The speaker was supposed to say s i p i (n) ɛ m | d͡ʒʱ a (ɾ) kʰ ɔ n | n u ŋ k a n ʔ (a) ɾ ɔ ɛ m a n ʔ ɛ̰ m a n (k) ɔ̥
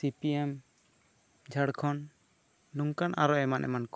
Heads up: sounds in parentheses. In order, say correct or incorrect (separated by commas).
incorrect, incorrect, correct, correct